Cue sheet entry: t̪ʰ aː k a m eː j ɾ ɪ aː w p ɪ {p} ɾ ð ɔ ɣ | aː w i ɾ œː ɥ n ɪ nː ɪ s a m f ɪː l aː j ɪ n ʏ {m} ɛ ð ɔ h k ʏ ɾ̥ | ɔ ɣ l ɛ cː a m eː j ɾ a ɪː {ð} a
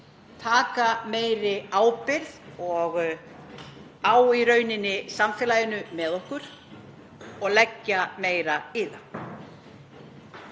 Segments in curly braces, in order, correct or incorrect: incorrect, correct, correct

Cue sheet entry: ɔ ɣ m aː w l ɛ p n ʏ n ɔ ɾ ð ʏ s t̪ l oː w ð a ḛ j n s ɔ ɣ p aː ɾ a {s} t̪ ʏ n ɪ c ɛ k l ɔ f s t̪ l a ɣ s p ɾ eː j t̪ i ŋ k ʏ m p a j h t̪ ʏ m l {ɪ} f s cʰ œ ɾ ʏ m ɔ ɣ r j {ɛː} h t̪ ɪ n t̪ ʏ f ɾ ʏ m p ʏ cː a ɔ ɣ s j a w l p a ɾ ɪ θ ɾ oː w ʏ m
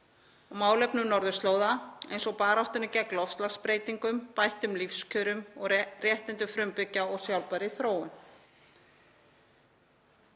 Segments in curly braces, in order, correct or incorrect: incorrect, incorrect, incorrect

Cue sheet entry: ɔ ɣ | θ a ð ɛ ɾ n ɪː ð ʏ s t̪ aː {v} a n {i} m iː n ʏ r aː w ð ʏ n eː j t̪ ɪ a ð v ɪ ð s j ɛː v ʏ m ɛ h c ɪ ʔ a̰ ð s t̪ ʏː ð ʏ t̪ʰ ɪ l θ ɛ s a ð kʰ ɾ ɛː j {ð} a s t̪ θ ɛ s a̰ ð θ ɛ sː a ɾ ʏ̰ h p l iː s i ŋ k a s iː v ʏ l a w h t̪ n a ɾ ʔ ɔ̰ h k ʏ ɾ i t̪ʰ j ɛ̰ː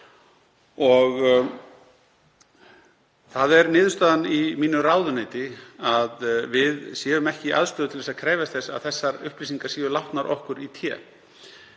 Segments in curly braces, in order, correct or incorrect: incorrect, correct, incorrect

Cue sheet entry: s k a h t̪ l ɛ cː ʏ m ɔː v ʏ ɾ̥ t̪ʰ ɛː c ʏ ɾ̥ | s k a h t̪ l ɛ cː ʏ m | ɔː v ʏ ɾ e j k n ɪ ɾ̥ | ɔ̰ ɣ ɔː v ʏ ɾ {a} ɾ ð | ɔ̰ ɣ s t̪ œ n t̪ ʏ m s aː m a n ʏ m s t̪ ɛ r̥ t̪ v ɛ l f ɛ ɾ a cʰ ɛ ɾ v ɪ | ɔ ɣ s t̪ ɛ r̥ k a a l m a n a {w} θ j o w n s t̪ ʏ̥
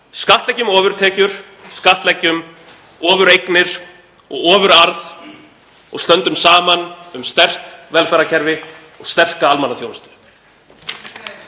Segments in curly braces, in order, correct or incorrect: correct, incorrect

